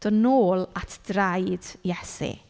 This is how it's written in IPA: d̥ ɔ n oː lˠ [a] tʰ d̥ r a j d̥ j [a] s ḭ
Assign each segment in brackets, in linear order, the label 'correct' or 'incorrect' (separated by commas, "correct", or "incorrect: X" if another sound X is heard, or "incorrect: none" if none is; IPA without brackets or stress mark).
correct, incorrect: ɛ